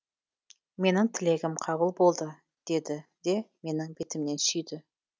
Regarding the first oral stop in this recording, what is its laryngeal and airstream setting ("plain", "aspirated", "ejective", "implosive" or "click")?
aspirated